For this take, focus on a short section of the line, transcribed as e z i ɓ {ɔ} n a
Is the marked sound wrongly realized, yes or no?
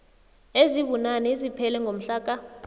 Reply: yes